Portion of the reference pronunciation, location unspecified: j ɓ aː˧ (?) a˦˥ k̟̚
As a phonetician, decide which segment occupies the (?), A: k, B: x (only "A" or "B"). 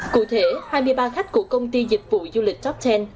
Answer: B